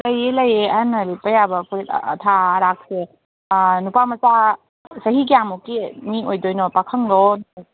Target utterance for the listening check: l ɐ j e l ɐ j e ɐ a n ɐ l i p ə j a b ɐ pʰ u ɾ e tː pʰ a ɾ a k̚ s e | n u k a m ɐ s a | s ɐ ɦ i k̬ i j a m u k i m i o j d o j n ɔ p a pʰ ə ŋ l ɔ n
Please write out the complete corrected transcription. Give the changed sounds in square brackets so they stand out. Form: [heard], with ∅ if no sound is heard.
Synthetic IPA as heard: l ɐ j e l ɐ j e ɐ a n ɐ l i p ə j a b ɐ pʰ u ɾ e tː [tʰ] a ɾ a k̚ s e | n u [p] a m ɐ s a | s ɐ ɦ i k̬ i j a m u k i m i o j d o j n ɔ p a [kʰ] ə ŋ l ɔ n